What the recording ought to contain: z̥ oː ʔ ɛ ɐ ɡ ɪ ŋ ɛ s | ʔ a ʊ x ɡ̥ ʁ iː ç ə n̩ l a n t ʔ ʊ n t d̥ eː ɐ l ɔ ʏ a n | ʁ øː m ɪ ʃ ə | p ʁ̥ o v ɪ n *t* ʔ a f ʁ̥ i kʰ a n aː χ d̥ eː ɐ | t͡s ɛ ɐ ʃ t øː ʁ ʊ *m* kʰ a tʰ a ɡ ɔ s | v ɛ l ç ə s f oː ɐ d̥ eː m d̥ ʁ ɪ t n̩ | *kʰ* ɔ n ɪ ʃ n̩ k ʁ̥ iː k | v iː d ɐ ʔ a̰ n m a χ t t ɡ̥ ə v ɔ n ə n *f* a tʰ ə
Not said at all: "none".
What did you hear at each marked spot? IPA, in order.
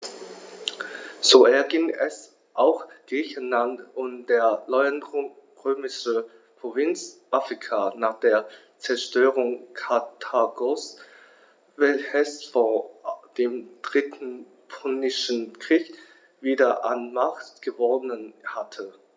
t͡s, ŋ, pʰ, h

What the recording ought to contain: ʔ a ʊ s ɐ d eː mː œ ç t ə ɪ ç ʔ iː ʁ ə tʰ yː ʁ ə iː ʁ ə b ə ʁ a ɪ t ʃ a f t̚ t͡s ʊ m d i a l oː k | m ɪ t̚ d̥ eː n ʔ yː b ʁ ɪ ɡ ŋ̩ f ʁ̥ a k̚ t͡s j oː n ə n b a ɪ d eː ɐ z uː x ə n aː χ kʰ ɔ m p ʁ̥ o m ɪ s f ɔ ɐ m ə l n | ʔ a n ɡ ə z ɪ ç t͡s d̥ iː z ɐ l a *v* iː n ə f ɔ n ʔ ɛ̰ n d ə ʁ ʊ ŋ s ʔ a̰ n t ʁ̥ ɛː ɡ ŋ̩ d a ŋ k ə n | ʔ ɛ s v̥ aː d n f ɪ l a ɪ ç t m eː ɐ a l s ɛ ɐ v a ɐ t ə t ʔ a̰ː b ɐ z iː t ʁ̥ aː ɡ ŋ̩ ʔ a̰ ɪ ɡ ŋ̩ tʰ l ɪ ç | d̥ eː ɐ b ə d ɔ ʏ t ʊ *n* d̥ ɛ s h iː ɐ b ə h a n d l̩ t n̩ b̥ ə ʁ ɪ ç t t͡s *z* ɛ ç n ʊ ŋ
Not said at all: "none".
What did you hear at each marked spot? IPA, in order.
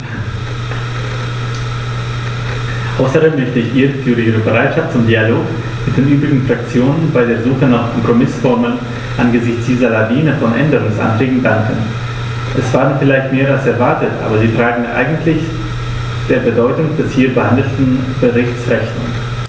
v, ŋ, ʁ

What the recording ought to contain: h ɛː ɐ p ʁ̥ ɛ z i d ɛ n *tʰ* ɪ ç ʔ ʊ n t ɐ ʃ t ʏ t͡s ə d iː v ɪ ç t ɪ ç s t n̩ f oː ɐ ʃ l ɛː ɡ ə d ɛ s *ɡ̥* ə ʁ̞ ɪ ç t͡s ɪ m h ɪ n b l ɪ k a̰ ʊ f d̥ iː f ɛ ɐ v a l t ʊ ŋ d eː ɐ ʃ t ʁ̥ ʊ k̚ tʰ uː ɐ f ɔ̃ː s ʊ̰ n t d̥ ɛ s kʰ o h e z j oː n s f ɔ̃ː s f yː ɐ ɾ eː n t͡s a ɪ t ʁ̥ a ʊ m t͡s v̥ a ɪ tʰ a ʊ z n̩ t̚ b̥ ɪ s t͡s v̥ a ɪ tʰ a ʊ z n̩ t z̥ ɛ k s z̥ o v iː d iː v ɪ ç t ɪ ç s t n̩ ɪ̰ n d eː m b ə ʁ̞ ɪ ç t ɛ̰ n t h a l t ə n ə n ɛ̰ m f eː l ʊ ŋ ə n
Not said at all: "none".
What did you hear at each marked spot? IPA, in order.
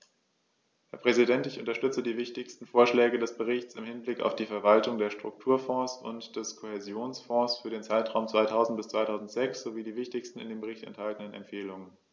t, b̥

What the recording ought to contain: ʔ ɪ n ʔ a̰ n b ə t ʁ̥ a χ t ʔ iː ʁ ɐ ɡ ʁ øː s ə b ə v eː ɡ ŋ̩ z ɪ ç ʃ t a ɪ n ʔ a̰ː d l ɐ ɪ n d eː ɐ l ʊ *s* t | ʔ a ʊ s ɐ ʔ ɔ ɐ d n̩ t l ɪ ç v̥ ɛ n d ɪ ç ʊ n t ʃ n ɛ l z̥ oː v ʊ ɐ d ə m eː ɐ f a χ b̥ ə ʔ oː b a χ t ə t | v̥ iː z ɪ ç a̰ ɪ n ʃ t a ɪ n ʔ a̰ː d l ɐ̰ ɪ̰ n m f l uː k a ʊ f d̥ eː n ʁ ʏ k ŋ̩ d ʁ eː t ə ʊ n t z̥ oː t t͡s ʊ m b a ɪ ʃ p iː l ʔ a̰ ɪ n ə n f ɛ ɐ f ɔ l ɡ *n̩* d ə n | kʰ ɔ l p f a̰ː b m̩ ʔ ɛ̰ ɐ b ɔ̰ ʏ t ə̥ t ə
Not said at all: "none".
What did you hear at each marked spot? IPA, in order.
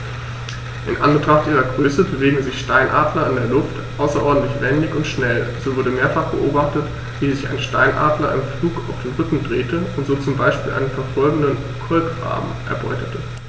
f, ŋ̩

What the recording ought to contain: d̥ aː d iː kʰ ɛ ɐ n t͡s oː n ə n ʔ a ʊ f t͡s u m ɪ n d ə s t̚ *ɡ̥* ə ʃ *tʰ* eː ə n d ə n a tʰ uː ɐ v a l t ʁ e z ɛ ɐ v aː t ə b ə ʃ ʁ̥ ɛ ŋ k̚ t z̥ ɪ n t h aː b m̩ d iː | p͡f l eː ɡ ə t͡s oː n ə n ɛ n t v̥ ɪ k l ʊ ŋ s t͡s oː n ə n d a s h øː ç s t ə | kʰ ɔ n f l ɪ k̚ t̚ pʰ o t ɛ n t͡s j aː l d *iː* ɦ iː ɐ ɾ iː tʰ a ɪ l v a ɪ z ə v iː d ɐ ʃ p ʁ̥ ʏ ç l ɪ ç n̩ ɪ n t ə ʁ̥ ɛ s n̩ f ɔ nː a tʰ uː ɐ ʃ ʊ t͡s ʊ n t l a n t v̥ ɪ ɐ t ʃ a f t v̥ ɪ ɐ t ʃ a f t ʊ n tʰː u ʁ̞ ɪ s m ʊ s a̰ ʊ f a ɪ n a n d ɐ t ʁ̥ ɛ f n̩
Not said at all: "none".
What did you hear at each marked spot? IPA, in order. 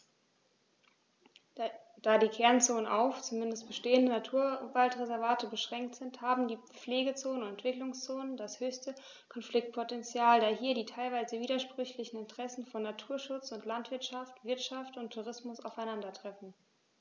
b̥, t, aː

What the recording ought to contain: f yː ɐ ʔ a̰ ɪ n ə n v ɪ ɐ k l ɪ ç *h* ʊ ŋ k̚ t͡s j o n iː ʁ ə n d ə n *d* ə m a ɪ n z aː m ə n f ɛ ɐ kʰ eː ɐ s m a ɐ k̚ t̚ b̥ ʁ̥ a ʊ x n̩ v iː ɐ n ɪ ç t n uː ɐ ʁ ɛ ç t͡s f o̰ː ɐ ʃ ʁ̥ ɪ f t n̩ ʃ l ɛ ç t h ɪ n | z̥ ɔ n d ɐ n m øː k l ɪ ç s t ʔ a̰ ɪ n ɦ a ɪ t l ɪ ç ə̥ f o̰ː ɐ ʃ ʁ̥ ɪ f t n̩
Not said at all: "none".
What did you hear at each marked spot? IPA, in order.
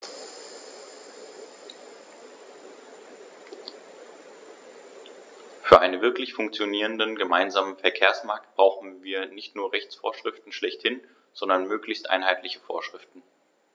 f, ɡ

